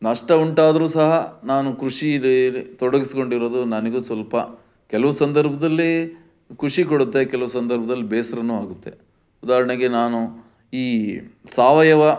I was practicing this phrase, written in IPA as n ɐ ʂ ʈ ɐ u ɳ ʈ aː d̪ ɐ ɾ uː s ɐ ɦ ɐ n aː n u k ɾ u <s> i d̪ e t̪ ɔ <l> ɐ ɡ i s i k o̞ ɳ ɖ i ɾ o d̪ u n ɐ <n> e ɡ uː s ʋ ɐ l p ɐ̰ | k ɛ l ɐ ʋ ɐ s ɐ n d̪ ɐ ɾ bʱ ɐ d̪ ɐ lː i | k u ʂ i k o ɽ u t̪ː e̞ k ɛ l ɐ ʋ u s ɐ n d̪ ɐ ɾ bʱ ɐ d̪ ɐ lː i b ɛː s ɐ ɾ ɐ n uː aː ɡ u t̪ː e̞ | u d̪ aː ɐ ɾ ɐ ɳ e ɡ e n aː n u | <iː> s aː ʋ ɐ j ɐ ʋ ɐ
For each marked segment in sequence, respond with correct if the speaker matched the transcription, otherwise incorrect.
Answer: incorrect: ʂ, incorrect: ɽ, correct, correct

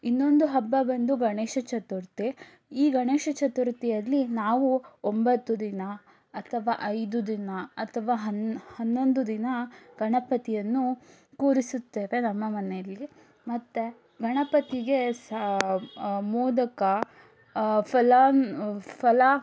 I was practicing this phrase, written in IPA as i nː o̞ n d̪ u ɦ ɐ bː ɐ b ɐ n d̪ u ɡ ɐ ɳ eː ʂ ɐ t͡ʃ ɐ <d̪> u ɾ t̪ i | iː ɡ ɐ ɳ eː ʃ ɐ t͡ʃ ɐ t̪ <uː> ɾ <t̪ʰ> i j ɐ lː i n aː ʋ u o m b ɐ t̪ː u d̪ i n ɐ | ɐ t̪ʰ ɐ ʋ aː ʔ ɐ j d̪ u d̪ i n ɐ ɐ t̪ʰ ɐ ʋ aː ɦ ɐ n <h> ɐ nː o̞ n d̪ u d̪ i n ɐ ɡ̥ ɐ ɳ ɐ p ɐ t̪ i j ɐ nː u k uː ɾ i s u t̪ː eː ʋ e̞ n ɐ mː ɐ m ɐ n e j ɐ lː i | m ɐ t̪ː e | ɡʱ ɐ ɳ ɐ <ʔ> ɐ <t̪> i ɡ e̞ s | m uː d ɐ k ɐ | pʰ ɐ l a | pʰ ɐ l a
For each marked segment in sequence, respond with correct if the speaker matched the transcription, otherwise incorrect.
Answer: incorrect: t̪, incorrect: u, incorrect: t̪, correct, incorrect: p, correct

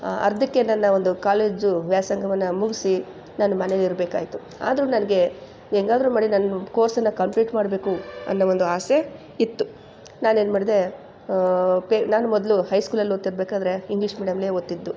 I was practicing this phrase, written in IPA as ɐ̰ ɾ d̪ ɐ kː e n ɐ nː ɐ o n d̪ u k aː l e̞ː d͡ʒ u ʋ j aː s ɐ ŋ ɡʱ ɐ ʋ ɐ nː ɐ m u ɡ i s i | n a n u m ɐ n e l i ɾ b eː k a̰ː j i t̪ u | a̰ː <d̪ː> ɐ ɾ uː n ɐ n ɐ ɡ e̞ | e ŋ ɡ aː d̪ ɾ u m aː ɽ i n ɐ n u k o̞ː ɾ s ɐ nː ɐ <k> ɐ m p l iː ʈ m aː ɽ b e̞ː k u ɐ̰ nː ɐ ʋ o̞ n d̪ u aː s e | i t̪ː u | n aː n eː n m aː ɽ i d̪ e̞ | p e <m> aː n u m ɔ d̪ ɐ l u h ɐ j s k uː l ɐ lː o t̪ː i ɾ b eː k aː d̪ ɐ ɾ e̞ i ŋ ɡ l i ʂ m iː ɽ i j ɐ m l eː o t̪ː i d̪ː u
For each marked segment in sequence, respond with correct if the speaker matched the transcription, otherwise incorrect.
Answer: incorrect: d̪, correct, incorrect: n

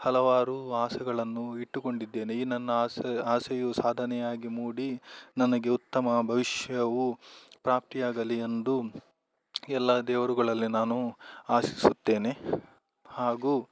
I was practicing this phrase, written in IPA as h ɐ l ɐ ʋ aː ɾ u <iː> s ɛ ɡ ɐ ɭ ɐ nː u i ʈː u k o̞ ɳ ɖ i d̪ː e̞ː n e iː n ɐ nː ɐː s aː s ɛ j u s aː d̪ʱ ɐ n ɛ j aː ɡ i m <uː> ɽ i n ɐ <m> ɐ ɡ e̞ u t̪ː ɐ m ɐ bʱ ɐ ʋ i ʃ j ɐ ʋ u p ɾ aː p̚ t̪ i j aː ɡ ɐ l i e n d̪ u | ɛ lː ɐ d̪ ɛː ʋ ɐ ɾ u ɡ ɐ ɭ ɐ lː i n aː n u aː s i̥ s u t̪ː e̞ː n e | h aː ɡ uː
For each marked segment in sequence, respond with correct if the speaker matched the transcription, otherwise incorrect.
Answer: incorrect: aː, correct, incorrect: n

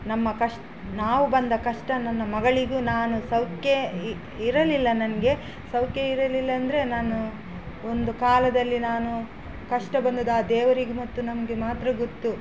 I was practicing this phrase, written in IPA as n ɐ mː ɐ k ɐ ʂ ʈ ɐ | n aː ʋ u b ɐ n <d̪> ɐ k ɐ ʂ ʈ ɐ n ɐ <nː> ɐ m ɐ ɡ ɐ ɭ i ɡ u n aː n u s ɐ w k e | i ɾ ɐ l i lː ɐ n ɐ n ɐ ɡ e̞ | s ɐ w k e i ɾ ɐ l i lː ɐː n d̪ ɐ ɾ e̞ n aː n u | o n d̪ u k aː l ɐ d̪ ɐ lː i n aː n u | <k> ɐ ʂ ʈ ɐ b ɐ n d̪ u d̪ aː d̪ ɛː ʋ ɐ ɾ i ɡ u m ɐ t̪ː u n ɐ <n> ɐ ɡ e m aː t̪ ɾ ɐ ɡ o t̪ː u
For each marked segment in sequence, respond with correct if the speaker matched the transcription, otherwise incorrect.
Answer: correct, correct, correct, incorrect: m

